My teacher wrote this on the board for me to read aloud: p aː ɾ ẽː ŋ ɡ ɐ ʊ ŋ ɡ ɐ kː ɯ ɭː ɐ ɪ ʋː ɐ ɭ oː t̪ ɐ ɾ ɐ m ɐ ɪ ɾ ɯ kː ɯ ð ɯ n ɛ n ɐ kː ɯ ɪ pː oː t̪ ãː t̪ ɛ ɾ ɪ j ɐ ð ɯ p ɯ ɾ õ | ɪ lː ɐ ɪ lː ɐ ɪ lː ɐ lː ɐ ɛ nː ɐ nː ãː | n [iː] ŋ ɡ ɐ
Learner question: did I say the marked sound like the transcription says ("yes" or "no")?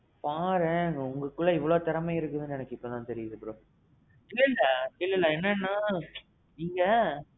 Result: yes